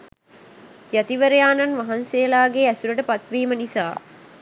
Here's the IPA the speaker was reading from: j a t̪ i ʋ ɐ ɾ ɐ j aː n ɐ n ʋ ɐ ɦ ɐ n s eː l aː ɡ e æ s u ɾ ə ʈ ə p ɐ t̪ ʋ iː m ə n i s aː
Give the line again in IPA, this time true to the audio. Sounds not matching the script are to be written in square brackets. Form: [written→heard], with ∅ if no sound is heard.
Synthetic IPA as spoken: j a t̪ i ʋ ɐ ɾ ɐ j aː n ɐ n ʋ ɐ ɦ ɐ n s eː l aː ɡ e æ s u ɾ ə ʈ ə p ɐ t̪ ʋ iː m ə n i s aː